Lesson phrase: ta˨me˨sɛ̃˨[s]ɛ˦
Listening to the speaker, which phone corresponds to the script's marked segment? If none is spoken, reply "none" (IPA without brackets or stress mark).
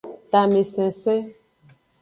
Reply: s